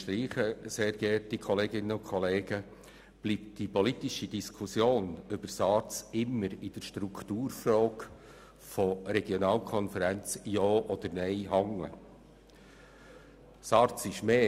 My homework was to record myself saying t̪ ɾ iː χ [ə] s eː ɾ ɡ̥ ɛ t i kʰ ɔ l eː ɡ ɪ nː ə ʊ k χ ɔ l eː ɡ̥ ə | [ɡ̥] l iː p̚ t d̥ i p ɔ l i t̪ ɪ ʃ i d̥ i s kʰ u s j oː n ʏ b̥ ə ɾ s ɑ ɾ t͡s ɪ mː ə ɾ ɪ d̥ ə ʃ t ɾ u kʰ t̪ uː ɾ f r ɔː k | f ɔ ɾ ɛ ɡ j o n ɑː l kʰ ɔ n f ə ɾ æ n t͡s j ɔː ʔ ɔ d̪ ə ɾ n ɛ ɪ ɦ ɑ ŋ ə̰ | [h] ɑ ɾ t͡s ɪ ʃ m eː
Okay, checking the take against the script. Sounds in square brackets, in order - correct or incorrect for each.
correct, incorrect, incorrect

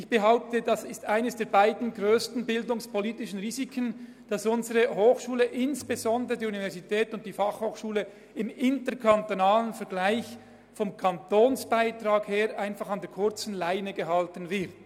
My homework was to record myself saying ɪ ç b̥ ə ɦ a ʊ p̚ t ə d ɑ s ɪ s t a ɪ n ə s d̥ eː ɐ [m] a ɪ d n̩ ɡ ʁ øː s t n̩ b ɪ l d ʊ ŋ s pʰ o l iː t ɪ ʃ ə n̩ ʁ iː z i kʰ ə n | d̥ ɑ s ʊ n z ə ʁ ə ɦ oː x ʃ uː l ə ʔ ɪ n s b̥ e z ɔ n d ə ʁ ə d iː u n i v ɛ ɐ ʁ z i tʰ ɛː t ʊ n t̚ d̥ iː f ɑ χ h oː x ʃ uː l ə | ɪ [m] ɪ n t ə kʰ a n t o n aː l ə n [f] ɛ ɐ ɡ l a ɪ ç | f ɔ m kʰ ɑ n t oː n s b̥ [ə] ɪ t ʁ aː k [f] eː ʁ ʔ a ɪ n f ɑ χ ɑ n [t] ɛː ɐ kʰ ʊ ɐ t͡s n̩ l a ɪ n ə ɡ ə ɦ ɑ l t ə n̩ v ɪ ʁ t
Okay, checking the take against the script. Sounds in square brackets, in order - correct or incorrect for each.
incorrect, correct, correct, incorrect, incorrect, incorrect

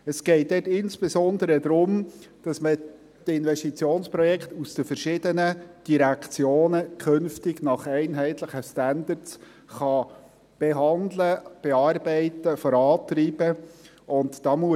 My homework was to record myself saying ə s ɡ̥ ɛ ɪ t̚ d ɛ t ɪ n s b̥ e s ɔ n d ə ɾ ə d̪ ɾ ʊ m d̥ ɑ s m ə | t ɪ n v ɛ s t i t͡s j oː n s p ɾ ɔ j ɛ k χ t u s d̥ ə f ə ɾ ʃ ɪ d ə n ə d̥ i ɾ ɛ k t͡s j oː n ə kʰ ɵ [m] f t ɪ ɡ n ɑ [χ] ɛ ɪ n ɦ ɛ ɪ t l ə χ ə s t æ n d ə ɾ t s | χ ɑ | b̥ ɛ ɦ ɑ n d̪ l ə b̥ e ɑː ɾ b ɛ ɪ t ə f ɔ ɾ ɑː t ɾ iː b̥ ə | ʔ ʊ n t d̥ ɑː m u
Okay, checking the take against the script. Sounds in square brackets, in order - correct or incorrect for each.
incorrect, correct

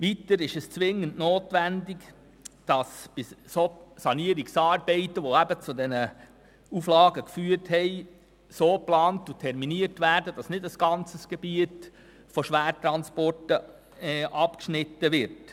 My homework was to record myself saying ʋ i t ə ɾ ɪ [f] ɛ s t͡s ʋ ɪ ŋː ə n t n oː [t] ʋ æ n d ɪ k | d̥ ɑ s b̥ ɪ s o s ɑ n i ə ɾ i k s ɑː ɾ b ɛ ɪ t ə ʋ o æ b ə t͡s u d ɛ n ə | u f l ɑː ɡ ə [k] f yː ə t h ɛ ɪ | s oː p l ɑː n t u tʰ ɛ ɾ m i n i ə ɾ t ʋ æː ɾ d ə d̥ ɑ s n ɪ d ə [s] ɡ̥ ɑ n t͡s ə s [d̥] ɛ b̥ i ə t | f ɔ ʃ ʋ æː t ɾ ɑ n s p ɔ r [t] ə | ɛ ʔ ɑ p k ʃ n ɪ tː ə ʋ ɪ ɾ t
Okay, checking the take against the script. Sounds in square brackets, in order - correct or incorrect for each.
incorrect, correct, correct, correct, incorrect, correct

